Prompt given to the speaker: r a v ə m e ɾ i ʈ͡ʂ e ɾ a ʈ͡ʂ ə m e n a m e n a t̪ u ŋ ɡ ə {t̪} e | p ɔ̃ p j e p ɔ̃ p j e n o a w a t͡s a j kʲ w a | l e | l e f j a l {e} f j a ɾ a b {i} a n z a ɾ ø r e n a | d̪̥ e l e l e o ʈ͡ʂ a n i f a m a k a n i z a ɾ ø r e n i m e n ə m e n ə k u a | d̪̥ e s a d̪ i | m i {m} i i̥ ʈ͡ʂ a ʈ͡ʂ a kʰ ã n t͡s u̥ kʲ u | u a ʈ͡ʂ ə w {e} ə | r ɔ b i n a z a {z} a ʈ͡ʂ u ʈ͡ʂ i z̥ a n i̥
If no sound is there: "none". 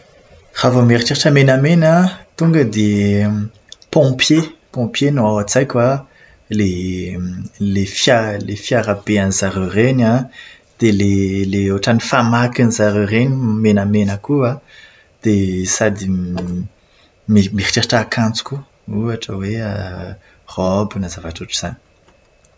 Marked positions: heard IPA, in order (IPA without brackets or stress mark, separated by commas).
d̪, e, e, m, e, v